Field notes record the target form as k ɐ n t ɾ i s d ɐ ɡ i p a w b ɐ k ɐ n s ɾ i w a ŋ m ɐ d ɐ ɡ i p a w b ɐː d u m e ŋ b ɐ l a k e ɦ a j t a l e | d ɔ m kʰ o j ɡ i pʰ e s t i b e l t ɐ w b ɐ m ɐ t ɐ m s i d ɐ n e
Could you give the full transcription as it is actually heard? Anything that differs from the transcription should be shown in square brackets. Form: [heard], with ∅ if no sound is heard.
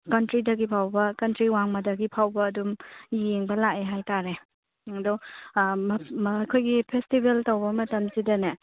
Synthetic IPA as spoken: k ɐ n t ɾ i [∅] d ɐ ɡ i [pʰ] a w b ɐ k ɐ n [t] ɾ i w a ŋ m ɐ d ɐ ɡ i [pʰ] a w b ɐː d u m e ŋ b ɐ l a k e ɦ a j t a [ɾ] e | d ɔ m kʰ o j ɡ i pʰ e s t i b e l t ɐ w b ɐ m ɐ t ɐ m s i d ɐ n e